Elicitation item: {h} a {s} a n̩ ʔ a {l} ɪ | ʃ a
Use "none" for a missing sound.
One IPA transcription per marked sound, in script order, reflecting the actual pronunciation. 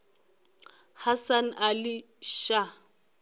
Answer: h, s, l

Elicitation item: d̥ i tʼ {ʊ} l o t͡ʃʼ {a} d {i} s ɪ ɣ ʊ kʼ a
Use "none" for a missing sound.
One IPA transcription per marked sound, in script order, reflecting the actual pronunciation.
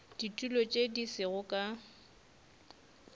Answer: u, e, i

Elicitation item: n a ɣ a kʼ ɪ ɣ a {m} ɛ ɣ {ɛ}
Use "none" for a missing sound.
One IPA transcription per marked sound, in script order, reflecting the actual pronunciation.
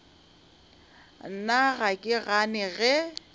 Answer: n, ɛ

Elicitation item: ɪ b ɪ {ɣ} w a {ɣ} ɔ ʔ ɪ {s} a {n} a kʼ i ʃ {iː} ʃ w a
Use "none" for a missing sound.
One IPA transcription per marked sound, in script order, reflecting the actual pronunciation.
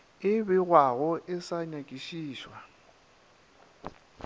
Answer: ɣ, ɣ, s, ɲ, iː

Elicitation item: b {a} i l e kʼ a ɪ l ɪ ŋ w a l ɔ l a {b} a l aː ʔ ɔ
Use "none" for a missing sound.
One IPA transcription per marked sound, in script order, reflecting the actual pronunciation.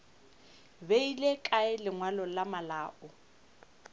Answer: e, m

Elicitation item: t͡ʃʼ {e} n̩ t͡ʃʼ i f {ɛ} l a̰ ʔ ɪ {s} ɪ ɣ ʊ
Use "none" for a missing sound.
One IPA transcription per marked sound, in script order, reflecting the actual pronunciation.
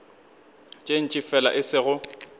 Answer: e, ɛ, s

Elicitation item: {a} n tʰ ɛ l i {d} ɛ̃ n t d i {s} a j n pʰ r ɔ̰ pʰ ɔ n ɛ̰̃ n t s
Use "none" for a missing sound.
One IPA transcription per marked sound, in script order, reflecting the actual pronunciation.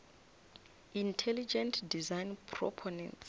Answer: i, d͡ʒ, z

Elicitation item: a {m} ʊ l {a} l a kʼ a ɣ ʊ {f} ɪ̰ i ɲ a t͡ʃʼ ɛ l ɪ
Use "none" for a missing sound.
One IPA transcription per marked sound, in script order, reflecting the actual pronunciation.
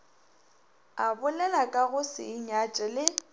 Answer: b, ɛ, s

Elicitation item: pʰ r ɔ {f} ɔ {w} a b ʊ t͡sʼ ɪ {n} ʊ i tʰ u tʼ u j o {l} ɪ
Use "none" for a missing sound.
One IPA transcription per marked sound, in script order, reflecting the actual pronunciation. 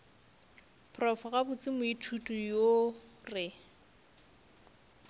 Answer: f, ɣ, m, r

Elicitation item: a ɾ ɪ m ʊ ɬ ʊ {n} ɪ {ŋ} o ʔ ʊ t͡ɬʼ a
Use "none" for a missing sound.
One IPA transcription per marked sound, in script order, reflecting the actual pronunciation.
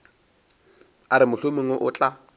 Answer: m, ŋ

